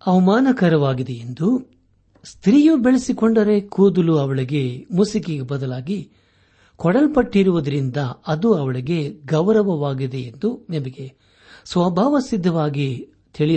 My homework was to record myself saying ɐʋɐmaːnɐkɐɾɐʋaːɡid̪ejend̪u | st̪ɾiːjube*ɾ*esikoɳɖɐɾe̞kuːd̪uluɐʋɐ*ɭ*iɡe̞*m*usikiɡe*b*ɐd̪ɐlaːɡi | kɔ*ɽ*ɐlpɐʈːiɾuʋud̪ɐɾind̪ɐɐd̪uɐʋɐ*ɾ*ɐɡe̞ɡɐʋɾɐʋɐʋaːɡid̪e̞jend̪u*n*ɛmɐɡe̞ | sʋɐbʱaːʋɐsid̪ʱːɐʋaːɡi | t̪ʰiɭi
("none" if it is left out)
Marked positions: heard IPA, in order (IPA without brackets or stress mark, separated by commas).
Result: ɭ, ɭ, m, b, ɽ, ɭ, n